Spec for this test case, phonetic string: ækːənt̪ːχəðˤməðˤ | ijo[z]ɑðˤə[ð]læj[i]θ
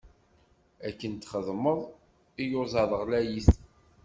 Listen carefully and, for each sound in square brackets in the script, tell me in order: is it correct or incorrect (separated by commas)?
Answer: correct, incorrect, correct